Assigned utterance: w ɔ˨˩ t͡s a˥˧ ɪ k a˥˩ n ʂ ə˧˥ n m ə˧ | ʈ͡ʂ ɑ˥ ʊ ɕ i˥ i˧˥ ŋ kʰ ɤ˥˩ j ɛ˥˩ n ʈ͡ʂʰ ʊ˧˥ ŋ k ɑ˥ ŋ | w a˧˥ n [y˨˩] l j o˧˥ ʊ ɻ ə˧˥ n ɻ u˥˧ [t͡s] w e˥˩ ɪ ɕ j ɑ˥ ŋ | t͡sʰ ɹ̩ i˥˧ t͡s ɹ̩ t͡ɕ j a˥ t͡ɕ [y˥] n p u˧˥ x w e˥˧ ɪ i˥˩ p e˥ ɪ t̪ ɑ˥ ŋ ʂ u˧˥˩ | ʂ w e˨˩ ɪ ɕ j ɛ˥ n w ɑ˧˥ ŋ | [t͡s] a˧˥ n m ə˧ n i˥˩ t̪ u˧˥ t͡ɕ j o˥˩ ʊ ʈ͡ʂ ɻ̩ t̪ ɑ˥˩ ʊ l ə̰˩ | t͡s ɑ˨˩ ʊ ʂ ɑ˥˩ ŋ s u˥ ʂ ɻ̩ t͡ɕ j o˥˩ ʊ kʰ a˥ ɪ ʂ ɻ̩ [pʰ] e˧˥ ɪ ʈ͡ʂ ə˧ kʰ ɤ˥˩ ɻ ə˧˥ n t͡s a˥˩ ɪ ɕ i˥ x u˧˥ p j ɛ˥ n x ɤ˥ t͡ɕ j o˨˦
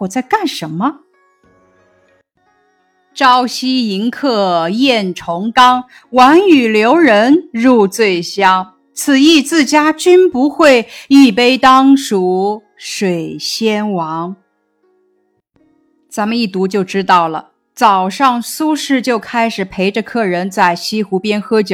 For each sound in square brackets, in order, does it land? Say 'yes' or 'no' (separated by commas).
yes, yes, yes, yes, yes